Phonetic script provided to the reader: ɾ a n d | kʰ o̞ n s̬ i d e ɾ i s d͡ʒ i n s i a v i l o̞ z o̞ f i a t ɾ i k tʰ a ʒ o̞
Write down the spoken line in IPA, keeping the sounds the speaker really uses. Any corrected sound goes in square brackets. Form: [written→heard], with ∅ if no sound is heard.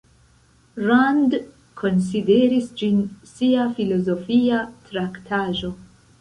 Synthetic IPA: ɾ a n d | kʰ o̞ n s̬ i d e ɾ i s d͡ʒ i n s i a [v→f] i l o̞ z o̞ f i a t ɾ [i→a] k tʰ a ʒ o̞